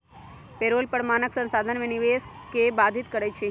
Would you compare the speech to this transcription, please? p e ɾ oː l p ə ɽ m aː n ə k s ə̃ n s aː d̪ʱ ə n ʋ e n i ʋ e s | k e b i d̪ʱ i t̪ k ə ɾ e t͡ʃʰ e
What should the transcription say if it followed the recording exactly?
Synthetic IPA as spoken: p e ɾ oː l p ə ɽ m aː n ə k s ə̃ n s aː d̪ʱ ə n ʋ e n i ʋ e s | k e b a d̪ʱ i t̪ k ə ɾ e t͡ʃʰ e